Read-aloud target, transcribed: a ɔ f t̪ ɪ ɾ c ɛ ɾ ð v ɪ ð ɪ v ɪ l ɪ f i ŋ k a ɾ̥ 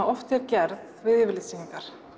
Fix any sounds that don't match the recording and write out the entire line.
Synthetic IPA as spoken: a ɔ f t̪ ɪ ɾ c ɛ ɾ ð v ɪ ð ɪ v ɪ l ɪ s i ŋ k a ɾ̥

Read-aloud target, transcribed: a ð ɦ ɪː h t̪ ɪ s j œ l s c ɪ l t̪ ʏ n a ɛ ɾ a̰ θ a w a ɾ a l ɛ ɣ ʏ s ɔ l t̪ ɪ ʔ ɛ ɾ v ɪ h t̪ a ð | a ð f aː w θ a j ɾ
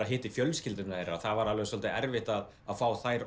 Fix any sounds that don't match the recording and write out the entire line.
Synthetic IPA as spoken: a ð ɦ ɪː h t̪ ɪ f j œ l s c ɪ l t̪ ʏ n a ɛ ɾ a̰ θ a v a ɾ a l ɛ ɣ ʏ s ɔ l t̪ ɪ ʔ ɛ ɾ v ɪ h t̪ a ð | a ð f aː w θ a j ɾ

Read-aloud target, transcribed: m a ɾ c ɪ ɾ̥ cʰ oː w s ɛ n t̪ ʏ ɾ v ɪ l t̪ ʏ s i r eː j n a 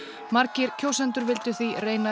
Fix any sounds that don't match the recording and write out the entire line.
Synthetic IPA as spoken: m a ɾ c ɪ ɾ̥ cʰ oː w s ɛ n t̪ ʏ ɾ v ɪ l t̪ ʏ θ i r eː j n a

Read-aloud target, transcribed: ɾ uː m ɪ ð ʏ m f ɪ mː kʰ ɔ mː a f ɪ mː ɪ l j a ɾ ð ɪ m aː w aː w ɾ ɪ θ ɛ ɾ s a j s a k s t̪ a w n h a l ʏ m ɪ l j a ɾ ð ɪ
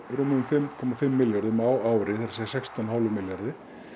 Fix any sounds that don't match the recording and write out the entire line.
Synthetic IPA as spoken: ɾ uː m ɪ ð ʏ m f ɪ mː kʰ ɔ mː a f ɪ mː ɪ l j a ɾ ð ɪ m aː w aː w ɾ ɪ θ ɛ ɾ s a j s ɛ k s t̪ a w n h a l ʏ m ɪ l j a ɾ ð ɪ

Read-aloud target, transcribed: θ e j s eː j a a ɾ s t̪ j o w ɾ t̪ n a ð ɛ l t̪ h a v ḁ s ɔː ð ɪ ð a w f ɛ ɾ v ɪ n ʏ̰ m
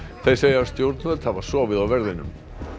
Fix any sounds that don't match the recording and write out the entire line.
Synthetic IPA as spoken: θ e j s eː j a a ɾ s t̪ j o w ɾ t̪ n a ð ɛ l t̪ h a v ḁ s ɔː v ɪ ð a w v ɛ ɾ ð ɪ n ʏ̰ m

